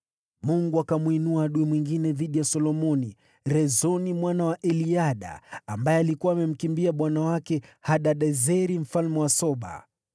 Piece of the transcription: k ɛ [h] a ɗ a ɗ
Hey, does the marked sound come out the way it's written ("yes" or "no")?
yes